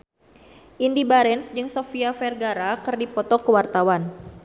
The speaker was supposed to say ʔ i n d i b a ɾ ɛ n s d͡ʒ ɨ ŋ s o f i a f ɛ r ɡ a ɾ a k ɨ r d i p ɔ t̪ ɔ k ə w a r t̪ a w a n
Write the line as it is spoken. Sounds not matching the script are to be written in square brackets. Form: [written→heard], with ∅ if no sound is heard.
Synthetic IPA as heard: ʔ i n d i b a ɾ ɛ n s d͡ʒ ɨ ŋ s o f i a f ɛ r ɡ a ɾ a k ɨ r d i p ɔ t̪ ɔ k ə w a r t̪ a w a n